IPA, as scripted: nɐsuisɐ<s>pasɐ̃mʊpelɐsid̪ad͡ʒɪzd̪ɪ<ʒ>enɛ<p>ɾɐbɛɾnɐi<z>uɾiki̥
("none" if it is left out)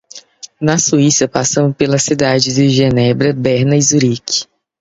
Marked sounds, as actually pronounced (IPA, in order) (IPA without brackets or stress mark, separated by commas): none, ʒ, b, z